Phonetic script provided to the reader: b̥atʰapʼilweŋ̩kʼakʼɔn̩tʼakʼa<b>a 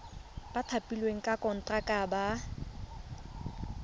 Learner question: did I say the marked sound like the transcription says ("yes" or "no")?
yes